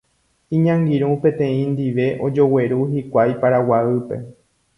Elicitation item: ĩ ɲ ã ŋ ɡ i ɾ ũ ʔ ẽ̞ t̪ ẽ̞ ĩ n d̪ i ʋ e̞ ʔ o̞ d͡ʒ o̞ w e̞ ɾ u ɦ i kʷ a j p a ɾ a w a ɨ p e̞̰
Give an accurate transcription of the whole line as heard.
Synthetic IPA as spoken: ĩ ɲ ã ŋ ɡ i ɾ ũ p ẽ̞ t̪ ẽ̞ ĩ n d̪ i ʋ e̞ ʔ o̞ d͡ʒ o̞ w e̞ ɾ u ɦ i kʷ a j p a ɾ a w a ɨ p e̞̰